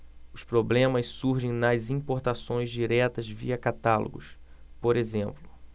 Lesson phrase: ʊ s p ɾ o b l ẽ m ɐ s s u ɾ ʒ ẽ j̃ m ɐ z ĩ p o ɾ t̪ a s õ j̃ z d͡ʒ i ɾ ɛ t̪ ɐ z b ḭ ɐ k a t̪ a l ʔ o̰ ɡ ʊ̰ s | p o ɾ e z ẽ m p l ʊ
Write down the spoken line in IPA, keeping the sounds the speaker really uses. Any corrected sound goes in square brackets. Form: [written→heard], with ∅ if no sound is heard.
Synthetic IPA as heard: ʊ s p ɾ o b l ẽ m ɐ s s u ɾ ʒ ẽ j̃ [m→n] ɐ z ĩ p o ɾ t̪ a s õ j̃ z d͡ʒ i ɾ ɛ t̪ ɐ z [b→v] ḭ ɐ k a t̪ a l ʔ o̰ ɡ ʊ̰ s | p o ɾ e z ẽ m p l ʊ